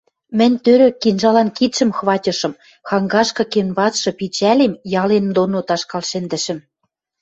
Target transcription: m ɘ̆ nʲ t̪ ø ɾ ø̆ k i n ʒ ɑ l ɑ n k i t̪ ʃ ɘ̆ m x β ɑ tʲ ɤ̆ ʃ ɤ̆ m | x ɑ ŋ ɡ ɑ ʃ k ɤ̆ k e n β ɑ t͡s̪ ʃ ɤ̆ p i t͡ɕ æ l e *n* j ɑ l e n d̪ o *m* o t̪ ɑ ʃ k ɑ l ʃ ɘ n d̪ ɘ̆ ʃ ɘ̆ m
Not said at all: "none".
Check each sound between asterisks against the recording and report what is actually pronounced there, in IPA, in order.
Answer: m, n

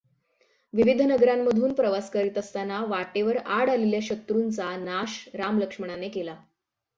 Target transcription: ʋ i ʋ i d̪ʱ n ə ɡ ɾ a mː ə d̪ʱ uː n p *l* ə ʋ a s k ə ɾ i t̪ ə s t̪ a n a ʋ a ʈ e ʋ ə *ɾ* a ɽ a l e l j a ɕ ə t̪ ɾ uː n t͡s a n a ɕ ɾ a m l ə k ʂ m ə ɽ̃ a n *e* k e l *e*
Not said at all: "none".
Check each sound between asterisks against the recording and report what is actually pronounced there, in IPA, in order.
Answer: ɾ, ɾ, e, a

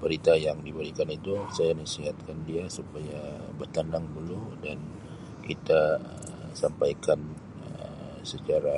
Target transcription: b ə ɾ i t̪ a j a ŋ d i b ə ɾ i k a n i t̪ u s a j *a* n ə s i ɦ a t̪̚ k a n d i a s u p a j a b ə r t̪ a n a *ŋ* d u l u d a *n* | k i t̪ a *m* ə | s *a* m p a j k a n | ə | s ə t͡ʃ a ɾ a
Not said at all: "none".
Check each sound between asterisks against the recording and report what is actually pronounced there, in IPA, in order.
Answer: a, ŋ, n, none, a

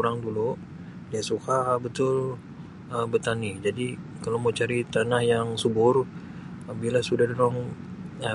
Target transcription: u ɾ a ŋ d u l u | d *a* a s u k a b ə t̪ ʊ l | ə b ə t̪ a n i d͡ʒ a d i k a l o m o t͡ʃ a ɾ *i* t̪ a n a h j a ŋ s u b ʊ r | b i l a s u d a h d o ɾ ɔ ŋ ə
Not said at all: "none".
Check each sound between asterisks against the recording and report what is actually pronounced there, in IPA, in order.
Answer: i, i

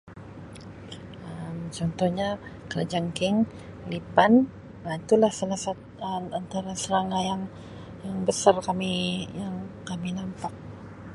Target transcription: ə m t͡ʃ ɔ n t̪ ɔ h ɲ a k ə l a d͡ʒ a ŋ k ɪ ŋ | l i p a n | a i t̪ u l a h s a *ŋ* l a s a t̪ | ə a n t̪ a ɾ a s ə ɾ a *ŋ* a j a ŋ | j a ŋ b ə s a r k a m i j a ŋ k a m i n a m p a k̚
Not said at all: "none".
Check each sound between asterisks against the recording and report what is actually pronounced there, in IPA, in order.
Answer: none, ŋ

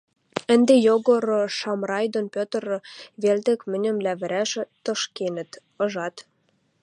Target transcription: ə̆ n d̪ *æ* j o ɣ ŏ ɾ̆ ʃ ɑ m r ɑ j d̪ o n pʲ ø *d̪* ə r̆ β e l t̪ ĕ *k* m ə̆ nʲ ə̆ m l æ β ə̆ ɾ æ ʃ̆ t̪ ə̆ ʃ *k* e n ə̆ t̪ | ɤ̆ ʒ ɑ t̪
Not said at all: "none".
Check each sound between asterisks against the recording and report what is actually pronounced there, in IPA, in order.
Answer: e, t̪, k, k

